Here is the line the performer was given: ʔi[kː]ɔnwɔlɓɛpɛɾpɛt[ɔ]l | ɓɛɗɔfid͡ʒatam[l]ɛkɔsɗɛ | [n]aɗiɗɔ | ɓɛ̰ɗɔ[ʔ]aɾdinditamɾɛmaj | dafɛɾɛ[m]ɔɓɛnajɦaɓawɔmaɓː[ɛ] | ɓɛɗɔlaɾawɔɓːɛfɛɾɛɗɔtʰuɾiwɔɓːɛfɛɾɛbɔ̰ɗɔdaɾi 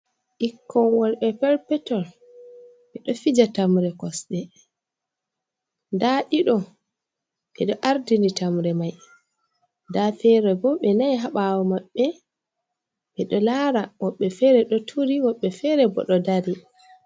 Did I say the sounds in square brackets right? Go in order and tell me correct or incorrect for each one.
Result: correct, correct, incorrect, incorrect, correct, incorrect, correct

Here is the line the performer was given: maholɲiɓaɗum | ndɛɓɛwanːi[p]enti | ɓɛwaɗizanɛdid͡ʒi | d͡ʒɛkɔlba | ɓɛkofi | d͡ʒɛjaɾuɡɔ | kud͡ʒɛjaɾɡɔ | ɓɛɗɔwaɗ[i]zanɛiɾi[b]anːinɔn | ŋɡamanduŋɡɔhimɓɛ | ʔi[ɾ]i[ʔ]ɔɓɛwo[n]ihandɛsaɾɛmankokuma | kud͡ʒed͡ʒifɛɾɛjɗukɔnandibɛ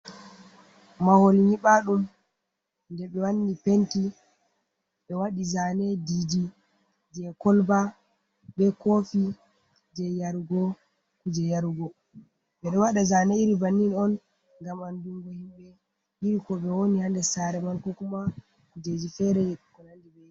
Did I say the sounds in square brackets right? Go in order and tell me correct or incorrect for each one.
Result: correct, incorrect, correct, correct, incorrect, correct

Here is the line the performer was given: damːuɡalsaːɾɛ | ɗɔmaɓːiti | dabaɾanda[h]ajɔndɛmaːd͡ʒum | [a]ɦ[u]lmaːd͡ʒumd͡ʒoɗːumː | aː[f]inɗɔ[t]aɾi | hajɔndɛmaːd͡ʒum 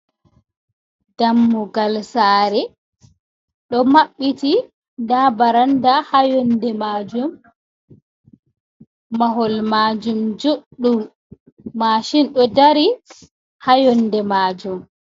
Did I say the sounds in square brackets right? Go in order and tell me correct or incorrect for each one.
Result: correct, correct, incorrect, incorrect, incorrect

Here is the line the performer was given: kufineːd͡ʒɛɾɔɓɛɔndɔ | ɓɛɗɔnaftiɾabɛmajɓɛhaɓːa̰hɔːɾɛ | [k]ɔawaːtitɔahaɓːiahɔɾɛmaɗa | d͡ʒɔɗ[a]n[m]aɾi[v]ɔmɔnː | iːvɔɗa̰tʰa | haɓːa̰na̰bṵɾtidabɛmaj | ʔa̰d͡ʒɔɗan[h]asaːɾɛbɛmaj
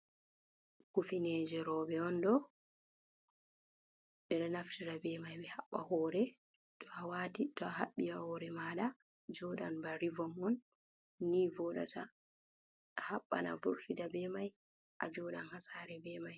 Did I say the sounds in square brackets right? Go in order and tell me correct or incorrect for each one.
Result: incorrect, correct, incorrect, correct, correct

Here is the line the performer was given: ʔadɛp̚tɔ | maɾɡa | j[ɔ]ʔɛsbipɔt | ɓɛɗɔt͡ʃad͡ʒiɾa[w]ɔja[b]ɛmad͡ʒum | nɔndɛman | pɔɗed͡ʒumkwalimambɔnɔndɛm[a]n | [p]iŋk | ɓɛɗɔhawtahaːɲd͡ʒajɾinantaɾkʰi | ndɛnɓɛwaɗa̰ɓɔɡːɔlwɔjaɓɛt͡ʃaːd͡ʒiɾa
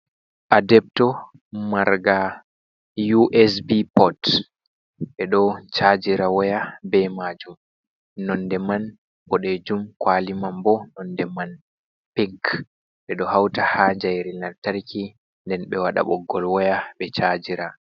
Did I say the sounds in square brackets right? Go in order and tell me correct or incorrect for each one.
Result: incorrect, correct, correct, correct, correct

